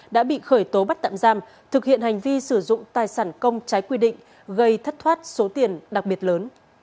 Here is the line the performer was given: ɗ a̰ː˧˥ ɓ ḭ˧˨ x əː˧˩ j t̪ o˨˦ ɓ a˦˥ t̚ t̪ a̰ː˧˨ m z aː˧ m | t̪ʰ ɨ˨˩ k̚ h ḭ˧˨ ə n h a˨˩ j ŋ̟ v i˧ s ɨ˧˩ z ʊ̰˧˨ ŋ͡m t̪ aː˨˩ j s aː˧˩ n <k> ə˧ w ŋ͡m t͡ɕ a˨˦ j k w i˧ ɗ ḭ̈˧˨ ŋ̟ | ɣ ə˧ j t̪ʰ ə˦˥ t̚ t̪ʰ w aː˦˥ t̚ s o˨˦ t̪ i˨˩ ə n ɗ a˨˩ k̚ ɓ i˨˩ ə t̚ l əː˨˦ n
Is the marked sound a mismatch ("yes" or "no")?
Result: no